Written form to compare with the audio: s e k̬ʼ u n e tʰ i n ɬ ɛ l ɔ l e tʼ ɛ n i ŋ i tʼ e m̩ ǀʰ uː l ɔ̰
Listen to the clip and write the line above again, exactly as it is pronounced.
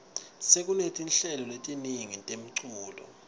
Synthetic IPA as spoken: s e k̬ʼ u n e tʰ i n ɬ ɛ l ɔ l e tʼ i n i ŋ i tʼ e m̩ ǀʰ uː l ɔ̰